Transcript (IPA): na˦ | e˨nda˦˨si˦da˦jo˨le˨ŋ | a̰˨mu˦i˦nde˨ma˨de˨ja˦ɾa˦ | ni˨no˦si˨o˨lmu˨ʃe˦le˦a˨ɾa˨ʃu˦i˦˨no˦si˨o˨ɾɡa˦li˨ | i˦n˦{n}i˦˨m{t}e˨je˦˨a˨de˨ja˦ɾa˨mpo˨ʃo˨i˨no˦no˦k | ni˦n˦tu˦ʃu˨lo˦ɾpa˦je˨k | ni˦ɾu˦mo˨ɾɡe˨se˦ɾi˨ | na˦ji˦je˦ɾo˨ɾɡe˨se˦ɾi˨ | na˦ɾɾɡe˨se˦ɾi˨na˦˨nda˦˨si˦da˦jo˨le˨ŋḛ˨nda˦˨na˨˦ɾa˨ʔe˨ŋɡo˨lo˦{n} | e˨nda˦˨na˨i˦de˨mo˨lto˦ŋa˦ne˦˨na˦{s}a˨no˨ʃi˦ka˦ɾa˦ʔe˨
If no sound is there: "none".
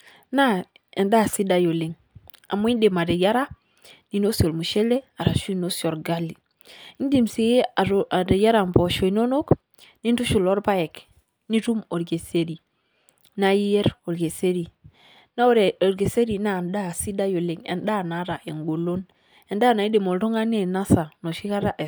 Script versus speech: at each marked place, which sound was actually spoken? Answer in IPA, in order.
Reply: d, s, n, s

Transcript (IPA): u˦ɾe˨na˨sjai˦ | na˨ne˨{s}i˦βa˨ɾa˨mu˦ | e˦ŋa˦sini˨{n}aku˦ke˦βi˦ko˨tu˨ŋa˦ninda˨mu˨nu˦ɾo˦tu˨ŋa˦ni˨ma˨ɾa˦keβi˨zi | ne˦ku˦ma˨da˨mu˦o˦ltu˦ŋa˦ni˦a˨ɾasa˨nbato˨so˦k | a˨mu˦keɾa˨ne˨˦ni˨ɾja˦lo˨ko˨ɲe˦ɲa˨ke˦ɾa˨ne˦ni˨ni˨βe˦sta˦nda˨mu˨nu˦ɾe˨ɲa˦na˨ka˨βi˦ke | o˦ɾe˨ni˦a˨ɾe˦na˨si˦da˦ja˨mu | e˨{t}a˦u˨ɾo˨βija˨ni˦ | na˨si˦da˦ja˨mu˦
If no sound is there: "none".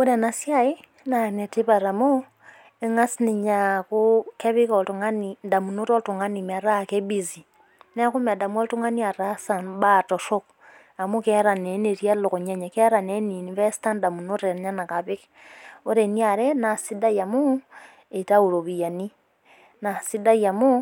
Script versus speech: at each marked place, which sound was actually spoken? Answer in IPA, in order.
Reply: t, ɲ, t

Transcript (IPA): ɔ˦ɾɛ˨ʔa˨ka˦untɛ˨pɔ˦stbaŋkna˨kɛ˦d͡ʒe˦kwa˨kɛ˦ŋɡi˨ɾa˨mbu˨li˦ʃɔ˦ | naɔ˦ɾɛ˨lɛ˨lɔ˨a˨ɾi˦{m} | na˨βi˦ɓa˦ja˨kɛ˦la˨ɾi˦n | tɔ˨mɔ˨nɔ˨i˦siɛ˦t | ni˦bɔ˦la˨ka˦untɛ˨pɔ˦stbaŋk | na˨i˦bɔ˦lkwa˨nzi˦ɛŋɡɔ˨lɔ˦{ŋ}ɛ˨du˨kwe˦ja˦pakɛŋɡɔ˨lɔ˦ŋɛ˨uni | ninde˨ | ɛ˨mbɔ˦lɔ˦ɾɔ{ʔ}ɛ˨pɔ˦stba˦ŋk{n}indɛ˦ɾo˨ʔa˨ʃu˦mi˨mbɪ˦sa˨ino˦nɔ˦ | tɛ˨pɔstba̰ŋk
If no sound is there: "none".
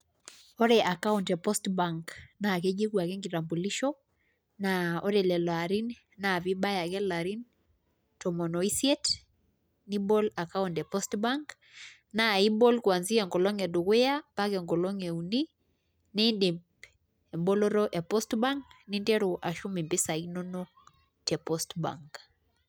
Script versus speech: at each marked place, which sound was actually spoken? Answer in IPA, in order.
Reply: n, ŋ, ʔ, n

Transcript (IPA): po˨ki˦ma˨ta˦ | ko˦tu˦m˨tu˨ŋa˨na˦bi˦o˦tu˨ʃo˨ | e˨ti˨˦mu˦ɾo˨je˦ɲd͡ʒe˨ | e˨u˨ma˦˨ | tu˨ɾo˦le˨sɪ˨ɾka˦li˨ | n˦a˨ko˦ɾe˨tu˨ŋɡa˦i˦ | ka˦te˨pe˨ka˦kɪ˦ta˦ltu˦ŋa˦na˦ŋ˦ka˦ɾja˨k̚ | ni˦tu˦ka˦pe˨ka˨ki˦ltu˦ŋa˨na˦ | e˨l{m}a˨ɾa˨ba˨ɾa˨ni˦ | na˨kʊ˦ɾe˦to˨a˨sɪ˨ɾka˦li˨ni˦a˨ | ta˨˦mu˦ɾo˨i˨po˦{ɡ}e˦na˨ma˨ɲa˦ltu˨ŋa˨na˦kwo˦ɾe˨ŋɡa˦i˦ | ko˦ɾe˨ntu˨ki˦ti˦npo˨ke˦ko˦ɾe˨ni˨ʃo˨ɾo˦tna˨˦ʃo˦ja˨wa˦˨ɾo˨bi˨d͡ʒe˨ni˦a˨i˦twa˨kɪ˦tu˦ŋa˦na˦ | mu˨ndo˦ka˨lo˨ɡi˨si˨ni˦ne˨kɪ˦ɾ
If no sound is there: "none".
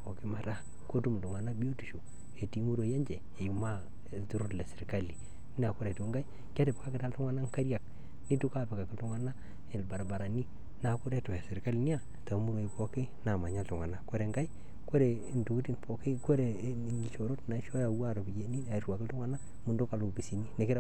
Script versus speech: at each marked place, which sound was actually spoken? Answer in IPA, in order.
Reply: b, k

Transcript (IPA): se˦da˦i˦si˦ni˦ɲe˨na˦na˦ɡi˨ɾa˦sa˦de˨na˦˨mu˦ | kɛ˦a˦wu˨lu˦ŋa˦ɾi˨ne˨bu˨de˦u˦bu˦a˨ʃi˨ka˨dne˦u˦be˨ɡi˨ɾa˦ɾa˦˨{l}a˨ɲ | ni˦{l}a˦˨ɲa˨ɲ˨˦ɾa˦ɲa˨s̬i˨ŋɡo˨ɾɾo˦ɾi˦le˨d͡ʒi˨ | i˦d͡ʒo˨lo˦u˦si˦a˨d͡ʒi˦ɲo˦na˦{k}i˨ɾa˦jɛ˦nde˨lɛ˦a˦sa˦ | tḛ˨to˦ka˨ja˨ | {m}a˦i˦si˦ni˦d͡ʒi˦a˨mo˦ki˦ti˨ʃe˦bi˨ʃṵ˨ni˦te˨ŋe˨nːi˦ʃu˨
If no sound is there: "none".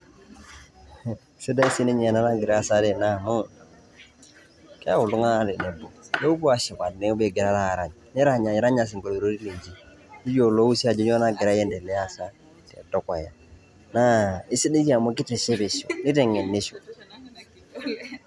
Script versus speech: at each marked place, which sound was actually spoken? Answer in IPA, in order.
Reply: ɾ, ɾ, ɡ, n

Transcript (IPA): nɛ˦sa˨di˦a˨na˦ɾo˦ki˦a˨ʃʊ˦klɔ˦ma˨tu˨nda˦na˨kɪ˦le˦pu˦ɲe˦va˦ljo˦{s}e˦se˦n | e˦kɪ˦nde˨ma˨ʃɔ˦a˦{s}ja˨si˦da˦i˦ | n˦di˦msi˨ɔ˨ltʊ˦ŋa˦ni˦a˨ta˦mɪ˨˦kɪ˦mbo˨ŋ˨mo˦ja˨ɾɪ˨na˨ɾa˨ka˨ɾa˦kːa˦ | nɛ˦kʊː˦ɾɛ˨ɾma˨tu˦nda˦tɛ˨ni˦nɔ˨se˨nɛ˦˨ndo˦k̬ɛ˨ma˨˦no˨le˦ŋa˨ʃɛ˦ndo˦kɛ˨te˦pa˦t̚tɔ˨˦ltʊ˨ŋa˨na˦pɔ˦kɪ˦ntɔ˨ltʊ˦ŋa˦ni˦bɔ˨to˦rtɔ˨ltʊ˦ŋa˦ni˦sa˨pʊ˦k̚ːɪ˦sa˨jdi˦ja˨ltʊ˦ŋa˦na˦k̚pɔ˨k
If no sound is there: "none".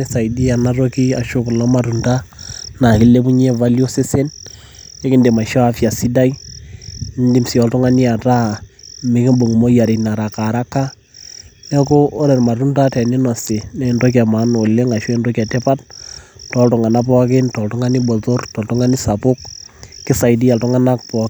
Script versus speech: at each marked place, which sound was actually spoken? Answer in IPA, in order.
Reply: s, f

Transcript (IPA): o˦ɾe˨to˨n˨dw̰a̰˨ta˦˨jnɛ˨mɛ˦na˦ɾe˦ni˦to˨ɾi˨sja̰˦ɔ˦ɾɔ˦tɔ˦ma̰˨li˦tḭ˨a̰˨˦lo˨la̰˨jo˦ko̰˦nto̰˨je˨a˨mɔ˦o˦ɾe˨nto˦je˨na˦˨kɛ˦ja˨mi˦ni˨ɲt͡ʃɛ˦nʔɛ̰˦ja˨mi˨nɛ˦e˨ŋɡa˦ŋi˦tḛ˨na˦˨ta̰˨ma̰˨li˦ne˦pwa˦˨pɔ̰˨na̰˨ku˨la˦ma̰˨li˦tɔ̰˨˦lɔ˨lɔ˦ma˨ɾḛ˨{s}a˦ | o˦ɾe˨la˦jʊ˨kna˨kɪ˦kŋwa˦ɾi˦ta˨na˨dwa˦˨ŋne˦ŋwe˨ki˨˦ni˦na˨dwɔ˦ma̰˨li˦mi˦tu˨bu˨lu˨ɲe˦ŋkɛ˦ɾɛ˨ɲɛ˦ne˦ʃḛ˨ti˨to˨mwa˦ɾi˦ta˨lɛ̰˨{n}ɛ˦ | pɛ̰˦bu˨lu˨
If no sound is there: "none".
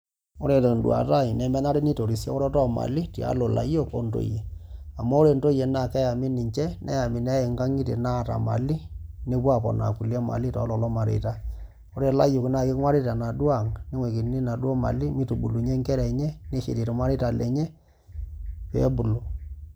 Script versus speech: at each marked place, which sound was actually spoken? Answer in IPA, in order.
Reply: t, ɲ

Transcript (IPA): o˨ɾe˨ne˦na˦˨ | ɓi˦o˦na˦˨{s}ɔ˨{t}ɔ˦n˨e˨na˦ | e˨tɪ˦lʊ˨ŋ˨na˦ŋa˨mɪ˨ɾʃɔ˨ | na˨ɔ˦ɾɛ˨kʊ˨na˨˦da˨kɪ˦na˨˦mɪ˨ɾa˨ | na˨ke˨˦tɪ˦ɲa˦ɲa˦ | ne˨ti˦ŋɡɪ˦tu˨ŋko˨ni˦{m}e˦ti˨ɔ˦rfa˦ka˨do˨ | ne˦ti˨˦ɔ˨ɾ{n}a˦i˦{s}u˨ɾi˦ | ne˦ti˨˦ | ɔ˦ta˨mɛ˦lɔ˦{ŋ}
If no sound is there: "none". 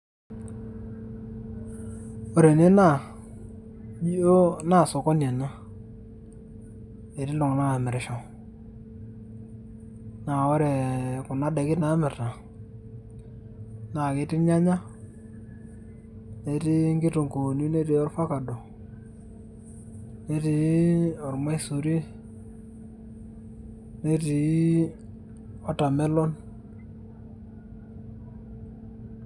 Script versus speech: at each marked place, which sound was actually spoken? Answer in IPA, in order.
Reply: s, k, n, m, s, n

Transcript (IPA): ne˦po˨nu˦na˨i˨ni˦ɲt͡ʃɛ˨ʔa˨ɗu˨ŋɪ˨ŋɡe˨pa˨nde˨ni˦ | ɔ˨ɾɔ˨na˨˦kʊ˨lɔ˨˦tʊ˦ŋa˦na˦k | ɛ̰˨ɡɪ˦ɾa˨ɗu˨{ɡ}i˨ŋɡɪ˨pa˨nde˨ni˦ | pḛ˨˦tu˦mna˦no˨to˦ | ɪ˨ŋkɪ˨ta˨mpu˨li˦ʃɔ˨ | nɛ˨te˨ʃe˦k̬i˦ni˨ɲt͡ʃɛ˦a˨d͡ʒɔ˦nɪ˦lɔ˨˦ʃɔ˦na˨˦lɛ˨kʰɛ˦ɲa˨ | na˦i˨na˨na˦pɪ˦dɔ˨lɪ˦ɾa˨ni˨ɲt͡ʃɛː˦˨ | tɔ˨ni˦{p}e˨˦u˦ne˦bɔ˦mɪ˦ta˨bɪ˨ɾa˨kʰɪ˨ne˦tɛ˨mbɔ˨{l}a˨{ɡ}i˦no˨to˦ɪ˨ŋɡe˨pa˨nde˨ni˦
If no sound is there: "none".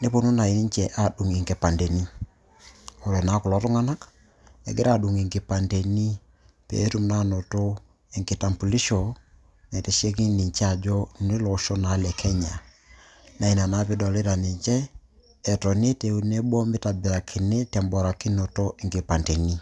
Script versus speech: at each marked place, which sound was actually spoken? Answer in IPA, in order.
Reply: ŋ, t, ɾ, k

